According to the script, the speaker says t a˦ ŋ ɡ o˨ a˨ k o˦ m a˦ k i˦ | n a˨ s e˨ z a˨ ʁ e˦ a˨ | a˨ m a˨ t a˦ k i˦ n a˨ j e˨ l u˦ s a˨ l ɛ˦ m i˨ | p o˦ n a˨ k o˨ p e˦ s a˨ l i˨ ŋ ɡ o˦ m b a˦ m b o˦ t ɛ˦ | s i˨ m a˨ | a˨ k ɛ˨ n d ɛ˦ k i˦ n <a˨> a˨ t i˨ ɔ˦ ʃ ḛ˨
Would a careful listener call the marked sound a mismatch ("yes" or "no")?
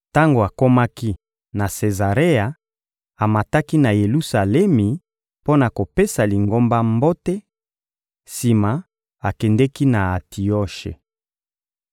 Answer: no